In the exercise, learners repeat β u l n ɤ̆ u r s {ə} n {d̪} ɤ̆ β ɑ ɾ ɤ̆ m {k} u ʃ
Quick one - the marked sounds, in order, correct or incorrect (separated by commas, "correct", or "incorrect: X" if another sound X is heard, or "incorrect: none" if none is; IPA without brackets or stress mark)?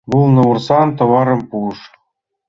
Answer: incorrect: ɑ, incorrect: t̪, incorrect: p